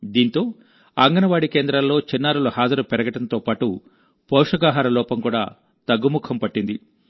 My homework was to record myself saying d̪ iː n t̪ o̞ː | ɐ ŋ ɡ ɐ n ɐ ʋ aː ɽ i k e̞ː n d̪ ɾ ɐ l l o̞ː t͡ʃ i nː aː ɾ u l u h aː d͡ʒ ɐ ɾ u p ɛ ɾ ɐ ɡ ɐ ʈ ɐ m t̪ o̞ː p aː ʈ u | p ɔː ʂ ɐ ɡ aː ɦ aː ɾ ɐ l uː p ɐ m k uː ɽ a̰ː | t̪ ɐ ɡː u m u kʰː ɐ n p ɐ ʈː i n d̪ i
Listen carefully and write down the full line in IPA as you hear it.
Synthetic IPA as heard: d̪ iː n t̪ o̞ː | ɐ ŋ ɡ ɐ n ɐ ʋ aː ɽ i k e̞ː n d̪ ɾ ɐ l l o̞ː t͡ʃ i nː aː ɾ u l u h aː d͡ʒ ɐ ɾ u p ɛ ɾ ɐ ɡ ɐ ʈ ɐ n t̪ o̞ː p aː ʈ u | p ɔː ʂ ɐ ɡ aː ɦ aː ɾ ɐ l ɔː p ɐ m k uː ɽ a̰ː | t̪ ɐ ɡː u m u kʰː ɐ m p ɐ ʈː i n d̪ i